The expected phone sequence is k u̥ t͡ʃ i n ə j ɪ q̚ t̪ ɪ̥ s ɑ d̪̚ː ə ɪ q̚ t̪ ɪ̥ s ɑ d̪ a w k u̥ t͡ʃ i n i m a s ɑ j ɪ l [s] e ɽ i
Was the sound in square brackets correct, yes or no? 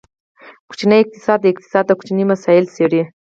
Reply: yes